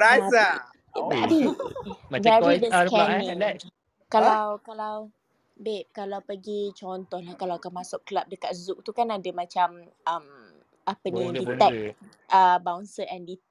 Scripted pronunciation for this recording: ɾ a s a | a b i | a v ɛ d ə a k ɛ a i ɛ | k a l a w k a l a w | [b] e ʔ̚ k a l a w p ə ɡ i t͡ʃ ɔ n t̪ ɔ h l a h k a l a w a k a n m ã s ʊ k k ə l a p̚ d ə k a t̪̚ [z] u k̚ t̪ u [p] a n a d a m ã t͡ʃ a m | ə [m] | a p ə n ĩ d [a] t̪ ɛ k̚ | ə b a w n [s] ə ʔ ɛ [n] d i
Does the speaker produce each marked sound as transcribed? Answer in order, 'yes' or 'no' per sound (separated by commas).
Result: yes, yes, no, yes, no, yes, yes